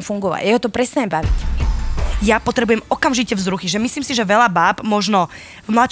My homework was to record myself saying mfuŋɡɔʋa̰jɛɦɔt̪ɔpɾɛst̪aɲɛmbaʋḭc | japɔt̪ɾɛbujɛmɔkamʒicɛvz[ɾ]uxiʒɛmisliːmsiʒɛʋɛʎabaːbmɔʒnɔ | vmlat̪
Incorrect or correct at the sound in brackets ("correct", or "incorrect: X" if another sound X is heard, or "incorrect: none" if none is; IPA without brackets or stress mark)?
correct